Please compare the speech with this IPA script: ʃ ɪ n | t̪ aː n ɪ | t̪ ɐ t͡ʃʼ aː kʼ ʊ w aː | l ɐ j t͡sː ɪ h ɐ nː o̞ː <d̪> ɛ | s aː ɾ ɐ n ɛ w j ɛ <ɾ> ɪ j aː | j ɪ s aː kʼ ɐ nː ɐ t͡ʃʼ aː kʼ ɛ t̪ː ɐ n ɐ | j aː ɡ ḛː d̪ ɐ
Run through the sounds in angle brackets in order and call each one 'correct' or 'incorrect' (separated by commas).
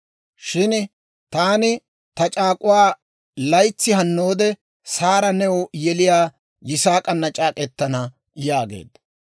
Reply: correct, incorrect